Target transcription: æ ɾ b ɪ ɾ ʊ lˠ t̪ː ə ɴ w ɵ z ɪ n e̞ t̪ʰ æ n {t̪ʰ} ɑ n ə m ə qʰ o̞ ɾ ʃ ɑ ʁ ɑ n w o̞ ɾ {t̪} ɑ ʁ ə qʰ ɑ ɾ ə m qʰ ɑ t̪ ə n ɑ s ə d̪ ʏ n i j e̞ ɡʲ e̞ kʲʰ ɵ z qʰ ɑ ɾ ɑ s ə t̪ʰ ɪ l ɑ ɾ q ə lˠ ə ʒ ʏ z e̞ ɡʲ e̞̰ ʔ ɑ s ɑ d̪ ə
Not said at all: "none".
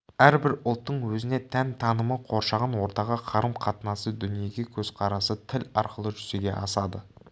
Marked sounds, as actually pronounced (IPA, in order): t̪ʰ, t̪

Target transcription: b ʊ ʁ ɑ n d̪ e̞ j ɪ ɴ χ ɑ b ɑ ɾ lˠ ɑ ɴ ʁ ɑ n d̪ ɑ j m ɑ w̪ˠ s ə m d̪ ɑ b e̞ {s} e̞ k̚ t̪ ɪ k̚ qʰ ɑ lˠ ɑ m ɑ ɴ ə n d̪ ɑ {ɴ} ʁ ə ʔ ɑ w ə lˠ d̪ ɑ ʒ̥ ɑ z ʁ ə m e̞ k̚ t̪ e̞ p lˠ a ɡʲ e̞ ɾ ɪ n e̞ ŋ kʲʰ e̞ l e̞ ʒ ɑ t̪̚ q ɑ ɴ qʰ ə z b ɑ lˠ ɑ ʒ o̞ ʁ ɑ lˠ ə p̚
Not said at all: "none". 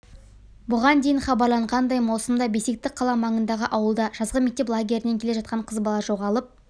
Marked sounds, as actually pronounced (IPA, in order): s, none

